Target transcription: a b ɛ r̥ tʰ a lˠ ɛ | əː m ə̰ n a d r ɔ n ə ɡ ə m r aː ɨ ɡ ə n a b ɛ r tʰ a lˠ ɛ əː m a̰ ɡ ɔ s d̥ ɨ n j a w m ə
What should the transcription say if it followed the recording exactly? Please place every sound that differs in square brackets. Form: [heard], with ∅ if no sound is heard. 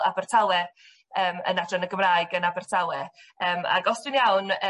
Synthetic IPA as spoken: a b ɛ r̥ tʰ a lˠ ɛ | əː m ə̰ n a d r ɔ n ə ɡ ə m r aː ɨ ɡ ə n a b ɛ r tʰ a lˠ ɛ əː m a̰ ɡ ɔ s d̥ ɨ n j a w [n] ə